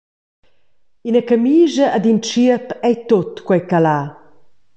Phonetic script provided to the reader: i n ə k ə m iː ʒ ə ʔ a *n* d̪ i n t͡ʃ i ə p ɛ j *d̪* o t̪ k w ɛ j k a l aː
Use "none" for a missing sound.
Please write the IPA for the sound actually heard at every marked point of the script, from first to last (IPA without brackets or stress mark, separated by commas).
none, t̪